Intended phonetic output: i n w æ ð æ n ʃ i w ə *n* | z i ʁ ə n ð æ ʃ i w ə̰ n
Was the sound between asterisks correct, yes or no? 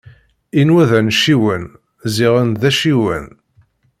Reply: yes